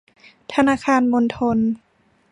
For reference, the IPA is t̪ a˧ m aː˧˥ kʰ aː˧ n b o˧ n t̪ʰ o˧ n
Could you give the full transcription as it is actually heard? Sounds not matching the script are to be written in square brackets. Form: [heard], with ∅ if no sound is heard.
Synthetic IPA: [t̪ʰ] a˧ [n] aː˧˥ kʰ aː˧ n [m] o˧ n t̪ʰ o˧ n

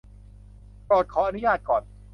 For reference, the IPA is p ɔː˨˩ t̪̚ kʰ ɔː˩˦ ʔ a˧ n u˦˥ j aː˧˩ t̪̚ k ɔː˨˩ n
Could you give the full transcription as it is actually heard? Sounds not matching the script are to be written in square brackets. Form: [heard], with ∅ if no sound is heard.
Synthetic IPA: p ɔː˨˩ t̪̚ kʰ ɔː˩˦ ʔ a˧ n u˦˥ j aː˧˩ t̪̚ k ɔː˨˩ n

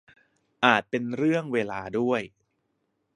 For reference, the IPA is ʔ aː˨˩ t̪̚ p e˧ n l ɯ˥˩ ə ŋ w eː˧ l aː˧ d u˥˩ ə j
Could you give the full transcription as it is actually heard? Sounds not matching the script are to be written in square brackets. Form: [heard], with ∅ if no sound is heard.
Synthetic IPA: ʔ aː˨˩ t̪̚ p e˧ n [ɾ] ɯ˥˩ ə ŋ w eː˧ l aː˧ d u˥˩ ə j

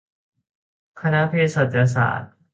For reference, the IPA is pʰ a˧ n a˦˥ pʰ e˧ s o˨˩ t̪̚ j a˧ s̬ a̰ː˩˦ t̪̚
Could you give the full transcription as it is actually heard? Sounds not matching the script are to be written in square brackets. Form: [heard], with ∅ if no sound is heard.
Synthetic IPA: [kʰ] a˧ n a˦˥ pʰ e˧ s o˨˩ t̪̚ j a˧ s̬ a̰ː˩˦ t̪̚

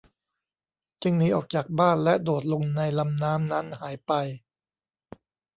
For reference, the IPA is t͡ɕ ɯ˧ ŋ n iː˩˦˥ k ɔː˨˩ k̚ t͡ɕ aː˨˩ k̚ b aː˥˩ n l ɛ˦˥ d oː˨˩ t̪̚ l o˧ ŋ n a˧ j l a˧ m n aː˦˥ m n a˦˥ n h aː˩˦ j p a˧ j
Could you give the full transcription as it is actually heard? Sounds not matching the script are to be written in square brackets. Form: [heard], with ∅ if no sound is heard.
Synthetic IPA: t͡ɕ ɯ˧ ŋ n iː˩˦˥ [ʔ] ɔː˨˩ k̚ t͡ɕ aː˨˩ k̚ b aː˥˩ n l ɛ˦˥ d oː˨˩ t̪̚ l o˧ ŋ n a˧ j l a˧ m n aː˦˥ m n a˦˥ n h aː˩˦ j p a˧ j

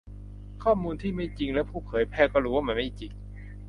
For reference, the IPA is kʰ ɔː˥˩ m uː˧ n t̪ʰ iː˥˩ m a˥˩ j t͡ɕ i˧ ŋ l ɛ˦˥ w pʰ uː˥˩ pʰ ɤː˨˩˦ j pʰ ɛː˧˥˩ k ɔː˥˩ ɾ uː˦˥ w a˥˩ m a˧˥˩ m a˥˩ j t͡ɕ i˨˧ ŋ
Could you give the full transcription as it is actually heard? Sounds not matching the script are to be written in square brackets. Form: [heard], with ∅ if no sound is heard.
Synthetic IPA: kʰ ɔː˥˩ m uː˧ n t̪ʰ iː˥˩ m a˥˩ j t͡ɕ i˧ ŋ l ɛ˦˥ w pʰ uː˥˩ pʰ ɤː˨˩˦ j pʰ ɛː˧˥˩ k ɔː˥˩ ɾ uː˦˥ w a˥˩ m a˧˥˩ m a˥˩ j t͡ɕ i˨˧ ŋ

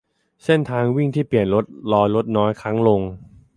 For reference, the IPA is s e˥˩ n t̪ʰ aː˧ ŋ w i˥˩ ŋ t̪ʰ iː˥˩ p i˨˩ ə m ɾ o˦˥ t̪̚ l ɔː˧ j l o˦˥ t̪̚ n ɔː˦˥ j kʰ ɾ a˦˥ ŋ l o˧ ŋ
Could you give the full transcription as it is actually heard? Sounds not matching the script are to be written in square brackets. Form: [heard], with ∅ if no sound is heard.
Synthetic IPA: s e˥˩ n t̪ʰ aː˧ ŋ w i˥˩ ŋ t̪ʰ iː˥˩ p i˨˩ ə [n] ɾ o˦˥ t̪̚ l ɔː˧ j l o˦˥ t̪̚ n ɔː˦˥ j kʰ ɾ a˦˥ ŋ l o˧ ŋ

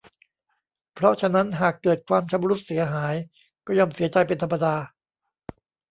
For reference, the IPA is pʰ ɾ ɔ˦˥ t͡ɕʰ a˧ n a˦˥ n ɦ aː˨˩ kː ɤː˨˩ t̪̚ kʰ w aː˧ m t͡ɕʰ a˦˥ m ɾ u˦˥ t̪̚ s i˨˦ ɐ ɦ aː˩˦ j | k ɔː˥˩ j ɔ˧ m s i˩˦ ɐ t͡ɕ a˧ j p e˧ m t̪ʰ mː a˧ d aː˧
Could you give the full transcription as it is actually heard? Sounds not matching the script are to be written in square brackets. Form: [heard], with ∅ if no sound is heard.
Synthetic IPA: pʰ ɾ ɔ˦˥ t͡ɕʰ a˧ n a˦˥ n ɦ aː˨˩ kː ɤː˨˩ t̪̚ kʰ w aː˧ m t͡ɕʰ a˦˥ m ɾ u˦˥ t̪̚ s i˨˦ ɐ ɦ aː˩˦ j | k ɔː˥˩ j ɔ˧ m s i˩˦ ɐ t͡ɕ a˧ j p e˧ [n] t̪ʰ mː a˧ d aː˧

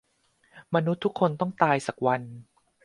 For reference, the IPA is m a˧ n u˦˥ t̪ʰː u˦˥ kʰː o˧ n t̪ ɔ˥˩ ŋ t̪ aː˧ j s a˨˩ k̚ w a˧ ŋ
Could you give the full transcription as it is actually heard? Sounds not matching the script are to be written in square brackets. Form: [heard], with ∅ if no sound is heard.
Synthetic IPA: m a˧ n u˦˥ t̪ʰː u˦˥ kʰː o˧ n t̪ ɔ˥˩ ŋ t̪ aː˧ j s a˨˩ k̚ w a˧ [n]

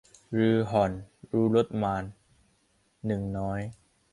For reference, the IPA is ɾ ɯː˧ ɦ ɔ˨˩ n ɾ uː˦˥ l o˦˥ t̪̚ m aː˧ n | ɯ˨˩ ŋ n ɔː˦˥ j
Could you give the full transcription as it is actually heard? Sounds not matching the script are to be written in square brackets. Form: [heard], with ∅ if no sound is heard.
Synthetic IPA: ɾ ɯː˧ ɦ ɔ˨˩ n ɾ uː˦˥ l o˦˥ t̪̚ m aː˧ n | ɯ˨˩ ŋ n ɔː˦˥ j

